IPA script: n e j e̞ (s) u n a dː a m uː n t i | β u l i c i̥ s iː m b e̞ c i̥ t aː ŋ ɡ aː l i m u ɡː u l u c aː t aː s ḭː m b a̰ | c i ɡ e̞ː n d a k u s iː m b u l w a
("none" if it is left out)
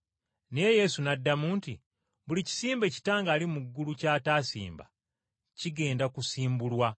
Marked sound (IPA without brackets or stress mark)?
s